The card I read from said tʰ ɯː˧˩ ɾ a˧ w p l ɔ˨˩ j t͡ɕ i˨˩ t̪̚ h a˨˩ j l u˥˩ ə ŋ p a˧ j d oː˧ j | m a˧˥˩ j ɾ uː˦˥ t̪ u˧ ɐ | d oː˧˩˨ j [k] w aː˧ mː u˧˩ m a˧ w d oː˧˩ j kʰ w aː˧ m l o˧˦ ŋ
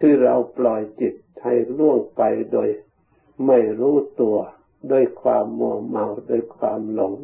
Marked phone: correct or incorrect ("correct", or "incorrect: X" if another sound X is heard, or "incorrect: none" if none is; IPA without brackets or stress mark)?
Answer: incorrect: kʰ